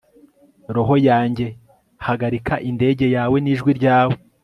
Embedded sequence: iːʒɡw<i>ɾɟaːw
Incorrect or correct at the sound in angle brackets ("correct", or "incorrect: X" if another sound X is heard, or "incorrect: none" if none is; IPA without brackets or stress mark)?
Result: correct